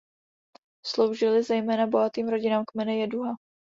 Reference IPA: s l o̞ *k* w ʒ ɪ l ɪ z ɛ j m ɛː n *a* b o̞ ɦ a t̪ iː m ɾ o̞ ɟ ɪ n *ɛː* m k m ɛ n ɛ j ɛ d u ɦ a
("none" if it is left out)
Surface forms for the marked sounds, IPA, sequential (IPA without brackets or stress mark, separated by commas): none, a, aː